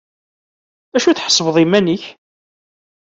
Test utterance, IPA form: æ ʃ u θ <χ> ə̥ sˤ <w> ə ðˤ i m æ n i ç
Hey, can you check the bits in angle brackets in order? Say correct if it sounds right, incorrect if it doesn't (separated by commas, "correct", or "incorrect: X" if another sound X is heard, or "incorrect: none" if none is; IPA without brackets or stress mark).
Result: incorrect: ħ, incorrect: v